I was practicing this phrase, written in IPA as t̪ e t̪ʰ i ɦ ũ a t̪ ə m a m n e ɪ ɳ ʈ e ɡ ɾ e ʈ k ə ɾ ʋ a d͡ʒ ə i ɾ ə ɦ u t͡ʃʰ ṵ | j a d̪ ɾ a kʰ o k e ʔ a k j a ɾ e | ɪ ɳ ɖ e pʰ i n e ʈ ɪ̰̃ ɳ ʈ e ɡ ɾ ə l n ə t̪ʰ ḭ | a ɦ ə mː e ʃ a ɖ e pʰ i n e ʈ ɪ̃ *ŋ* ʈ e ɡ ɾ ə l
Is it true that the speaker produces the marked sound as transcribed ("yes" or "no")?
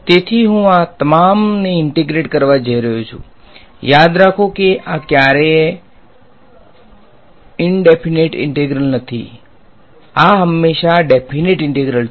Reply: no